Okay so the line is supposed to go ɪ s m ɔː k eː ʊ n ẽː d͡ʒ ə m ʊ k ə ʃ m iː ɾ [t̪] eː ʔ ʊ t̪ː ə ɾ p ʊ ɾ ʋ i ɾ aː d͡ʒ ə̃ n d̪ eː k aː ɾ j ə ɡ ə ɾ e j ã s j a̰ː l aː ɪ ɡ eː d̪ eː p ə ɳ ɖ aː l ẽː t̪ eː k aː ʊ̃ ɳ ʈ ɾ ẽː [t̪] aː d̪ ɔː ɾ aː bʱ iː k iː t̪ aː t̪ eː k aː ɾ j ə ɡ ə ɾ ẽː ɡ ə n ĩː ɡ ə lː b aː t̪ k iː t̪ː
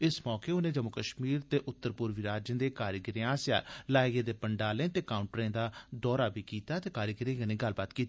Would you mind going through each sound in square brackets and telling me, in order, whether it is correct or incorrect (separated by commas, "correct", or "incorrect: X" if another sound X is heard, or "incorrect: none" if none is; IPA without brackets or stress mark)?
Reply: correct, incorrect: d̪